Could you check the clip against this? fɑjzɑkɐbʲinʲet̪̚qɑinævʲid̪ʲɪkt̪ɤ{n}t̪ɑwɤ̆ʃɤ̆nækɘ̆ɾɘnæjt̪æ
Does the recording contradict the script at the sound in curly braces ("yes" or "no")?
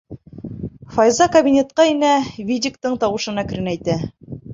yes